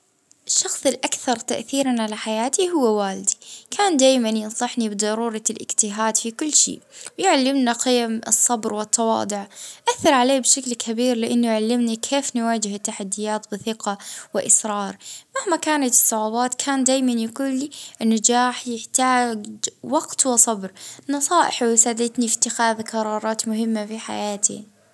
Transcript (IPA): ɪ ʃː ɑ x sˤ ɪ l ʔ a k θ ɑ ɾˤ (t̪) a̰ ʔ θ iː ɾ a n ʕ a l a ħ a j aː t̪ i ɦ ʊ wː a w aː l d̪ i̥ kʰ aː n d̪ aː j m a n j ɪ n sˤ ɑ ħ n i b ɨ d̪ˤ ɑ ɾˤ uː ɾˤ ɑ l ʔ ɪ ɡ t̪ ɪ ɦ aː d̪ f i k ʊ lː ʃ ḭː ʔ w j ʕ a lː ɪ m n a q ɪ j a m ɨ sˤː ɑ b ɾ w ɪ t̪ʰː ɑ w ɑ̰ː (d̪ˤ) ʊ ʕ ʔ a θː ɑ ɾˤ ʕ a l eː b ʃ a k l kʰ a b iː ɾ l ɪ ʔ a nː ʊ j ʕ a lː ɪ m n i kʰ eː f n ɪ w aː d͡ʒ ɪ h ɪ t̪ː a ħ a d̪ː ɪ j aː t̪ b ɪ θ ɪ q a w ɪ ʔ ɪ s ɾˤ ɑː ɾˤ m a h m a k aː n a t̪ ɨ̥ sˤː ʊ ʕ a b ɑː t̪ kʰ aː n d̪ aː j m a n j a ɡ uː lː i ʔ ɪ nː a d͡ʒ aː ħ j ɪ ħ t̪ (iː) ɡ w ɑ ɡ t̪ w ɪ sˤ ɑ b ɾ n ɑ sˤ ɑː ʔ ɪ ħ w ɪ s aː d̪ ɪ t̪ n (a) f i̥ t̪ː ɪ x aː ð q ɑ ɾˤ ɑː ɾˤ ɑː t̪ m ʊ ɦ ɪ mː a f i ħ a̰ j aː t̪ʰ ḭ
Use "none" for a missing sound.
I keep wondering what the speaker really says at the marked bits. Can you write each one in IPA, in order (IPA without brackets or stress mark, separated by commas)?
t̪, d̪ˤ, aː, i